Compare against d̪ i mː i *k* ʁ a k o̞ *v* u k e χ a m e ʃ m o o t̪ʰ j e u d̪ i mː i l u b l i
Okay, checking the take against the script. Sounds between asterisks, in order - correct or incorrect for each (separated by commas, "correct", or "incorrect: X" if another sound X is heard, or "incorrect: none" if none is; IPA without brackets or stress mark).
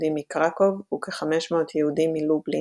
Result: correct, correct